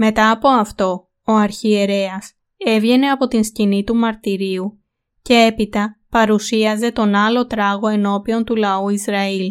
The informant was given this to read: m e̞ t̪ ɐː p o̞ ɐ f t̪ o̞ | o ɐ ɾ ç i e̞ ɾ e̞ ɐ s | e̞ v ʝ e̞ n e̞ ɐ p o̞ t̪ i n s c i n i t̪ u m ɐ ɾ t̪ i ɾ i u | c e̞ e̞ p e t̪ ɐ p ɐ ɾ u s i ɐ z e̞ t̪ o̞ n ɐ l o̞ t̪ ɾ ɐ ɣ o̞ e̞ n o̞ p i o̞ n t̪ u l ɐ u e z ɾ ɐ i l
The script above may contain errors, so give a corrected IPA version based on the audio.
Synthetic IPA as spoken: m e̞ t̪ ɐː p o̞ ɐ f t̪ o̞ | o ɐ ɾ ç i e̞ ɾ e̞ ɐ s | e̞ v ʝ e̞ n e̞ ɐ p o̞ t̪ i n s c i n i t̪ u m ɐ ɾ t̪ i ɾ i u | c e̞ e̞ p i t̪ ɐ p ɐ ɾ u s i ɐ z e̞ t̪ o̞ n ɐ l o̞ t̪ ɾ ɐ ɣ o̞ e̞ n o̞ p i o̞ n t̪ u l ɐ u i z ɾ ɐ i l